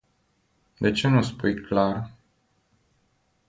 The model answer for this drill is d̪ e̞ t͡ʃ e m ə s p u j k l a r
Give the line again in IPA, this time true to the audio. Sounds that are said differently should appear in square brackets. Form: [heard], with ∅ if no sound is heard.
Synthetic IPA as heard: d̪ e̞ t͡ʃ e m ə s p u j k l a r

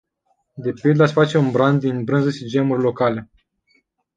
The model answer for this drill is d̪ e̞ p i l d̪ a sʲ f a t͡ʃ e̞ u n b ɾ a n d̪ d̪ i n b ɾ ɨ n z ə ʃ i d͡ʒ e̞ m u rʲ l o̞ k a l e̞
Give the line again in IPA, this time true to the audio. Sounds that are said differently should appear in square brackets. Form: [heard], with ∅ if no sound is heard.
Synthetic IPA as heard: d̪ e̞ p i l d̪ a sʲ f a t͡ʃ e̞ u n b ɾ a n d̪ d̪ i n b ɾ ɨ n z ə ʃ i d͡ʒ e̞ m u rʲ l o̞ k a l e̞

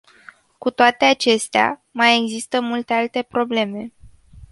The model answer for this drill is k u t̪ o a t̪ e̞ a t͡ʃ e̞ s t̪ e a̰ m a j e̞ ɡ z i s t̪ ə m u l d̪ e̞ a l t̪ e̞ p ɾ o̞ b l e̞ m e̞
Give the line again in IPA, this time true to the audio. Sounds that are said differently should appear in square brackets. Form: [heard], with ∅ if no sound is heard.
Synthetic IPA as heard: k u t̪ o a t̪ e̞ a t͡ʃ e̞ s t̪ e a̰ m a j e̞ ɡ z i s t̪ ə m u l [t̪] e̞ a l t̪ e̞ p ɾ o̞ b l e̞ m e̞

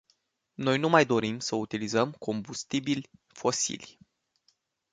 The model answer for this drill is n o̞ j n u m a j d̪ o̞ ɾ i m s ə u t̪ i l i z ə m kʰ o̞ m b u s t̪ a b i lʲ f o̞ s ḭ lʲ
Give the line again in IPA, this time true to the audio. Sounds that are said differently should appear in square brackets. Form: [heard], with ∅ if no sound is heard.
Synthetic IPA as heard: n o̞ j n u m a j d̪ o̞ ɾ i m s ə u t̪ i l i z ə m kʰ o̞ m b u s t̪ [i] b i lʲ f o̞ s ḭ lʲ

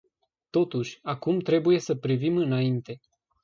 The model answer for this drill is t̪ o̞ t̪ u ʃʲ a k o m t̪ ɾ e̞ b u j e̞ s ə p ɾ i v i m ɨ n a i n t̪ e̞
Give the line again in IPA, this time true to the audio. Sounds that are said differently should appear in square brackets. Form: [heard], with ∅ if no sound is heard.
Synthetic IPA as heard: t̪ o̞ t̪ u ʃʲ a k [u] m t̪ ɾ e̞ b u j e̞ s ə p ɾ i v i m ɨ n a i n t̪ e̞

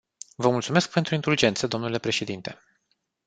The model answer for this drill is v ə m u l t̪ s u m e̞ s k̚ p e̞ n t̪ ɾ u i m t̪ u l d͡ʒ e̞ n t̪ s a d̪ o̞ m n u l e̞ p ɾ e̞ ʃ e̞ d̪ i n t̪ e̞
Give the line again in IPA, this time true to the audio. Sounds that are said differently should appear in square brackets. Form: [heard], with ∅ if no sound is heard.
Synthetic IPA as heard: v ə m u l t̪ s u m e̞ s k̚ p e̞ n t̪ ɾ u i [n] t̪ u l d͡ʒ e̞ n t̪ s [ə] d̪ o̞ m n u l e̞ p ɾ e̞ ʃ e̞ d̪ i n t̪ e̞

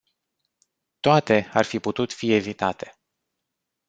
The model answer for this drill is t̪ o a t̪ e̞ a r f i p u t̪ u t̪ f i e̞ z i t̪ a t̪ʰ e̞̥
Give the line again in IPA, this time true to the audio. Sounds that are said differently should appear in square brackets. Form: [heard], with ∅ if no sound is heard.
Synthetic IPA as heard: t̪ o a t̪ e̞ a r f i p u t̪ u t̪ f i e̞ [v] i t̪ a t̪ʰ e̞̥

